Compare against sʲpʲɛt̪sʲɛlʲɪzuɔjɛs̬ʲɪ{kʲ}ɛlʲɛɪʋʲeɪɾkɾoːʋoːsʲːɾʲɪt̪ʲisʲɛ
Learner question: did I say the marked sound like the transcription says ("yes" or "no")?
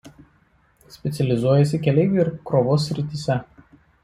yes